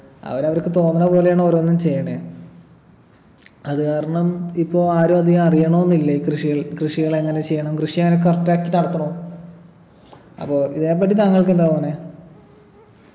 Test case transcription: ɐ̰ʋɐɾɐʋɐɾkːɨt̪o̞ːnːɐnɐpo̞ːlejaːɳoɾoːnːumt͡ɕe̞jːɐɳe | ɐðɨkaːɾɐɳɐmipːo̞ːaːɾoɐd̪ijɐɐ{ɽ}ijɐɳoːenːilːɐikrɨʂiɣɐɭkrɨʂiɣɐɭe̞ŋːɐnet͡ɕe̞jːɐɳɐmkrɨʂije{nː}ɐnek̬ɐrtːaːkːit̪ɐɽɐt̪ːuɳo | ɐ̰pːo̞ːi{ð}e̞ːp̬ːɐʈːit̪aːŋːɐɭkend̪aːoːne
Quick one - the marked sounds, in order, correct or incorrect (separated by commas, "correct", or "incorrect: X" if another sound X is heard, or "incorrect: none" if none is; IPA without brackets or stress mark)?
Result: incorrect: r, incorrect: ŋː, correct